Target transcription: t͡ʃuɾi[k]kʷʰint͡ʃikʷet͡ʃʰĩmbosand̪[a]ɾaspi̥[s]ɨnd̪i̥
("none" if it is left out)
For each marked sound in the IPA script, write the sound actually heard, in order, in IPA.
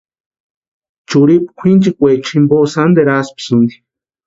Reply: p, e, s

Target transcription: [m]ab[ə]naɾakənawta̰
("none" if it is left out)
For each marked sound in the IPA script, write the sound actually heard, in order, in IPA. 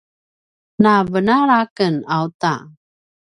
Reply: n, ə

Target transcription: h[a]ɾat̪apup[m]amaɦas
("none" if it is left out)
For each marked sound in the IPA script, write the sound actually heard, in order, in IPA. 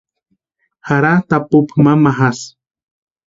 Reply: a, m

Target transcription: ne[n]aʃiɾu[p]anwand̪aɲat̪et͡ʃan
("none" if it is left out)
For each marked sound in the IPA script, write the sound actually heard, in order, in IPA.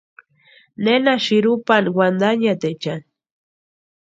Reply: n, p

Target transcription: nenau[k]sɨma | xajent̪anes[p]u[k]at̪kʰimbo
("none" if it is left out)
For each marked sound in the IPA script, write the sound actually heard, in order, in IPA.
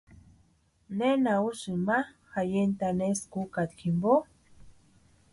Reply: none, k, k

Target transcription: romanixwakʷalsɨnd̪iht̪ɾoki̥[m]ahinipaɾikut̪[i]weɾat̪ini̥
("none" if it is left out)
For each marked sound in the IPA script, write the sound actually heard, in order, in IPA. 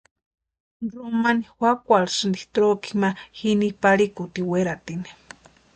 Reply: m, i

